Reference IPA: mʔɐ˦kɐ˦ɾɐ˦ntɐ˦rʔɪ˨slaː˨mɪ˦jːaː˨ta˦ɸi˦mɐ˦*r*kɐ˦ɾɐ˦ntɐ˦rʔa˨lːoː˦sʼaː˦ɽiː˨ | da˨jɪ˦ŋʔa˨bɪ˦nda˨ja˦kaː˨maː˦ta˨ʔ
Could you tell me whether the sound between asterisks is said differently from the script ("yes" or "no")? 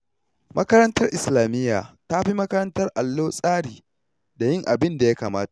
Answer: yes